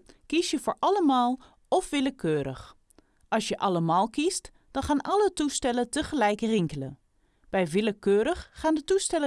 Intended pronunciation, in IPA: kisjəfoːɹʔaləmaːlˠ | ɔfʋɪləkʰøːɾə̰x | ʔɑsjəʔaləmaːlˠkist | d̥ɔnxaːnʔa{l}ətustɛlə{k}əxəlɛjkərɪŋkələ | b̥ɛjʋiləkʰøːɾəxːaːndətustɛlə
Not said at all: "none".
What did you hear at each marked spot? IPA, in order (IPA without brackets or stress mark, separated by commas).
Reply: l, t